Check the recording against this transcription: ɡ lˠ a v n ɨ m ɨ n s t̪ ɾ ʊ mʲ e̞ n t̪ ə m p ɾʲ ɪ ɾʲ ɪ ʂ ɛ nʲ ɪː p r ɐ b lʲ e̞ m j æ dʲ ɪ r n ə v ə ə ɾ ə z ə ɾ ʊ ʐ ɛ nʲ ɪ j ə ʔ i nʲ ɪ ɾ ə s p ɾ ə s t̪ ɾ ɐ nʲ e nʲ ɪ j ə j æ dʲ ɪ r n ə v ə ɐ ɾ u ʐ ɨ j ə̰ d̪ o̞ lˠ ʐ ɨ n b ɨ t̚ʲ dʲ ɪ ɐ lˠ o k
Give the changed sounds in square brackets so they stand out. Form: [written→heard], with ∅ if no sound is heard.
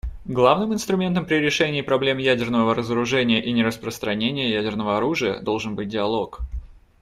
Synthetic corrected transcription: ɡ lˠ a v n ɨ m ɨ n s t̪ ɾ ʊ mʲ e̞ n t̪ ə m p ɾʲ ɪ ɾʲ ɪ ʂ ɛ nʲ ɪː p [r→ɾ] ɐ b lʲ e̞ m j æ dʲ ɪ r n ə v ə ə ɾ ə z ə ɾ ʊ ʐ ɛ nʲ ɪ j ə ʔ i nʲ ɪ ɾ ə s p ɾ ə s t̪ ɾ ɐ nʲ e nʲ ɪ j ə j æ dʲ ɪ r n ə v ə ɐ ɾ u ʐ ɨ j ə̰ d̪ o̞ lˠ ʐ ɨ n b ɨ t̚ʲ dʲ ɪ ɐ lˠ o k